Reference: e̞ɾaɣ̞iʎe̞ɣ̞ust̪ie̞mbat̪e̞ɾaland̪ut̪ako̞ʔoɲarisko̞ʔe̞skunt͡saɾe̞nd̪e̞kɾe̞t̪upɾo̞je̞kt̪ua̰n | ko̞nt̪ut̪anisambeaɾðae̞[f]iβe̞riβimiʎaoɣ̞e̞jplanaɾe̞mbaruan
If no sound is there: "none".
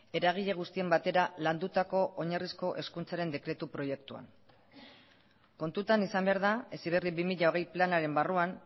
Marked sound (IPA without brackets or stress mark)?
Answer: s